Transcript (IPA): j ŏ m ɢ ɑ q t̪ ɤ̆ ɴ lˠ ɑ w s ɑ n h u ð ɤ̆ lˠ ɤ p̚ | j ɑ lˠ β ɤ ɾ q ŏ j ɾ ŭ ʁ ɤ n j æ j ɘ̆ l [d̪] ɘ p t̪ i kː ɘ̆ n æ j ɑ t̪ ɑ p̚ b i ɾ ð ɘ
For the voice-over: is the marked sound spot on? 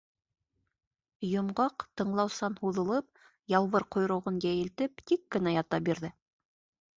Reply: no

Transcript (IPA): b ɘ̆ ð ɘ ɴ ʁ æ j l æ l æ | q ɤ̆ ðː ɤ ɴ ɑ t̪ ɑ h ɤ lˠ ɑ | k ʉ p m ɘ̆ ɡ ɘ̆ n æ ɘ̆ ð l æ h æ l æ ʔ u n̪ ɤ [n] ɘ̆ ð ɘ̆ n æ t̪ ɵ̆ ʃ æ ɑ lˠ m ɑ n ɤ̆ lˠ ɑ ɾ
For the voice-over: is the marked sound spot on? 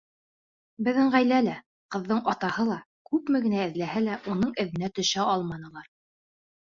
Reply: no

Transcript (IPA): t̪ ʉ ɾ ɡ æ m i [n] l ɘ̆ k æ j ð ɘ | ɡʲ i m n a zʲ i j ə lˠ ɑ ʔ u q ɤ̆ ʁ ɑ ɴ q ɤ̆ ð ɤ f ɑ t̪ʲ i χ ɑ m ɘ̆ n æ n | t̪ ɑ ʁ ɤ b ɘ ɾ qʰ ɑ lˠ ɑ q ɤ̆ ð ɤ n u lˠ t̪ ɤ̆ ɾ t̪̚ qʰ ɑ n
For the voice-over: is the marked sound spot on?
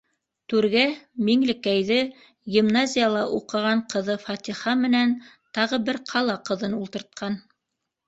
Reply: no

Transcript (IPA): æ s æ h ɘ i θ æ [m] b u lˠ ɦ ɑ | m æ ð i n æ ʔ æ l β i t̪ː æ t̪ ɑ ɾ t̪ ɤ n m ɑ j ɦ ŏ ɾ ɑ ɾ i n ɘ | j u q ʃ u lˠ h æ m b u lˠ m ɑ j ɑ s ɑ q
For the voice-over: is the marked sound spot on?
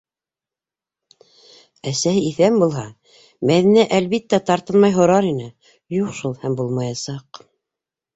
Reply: yes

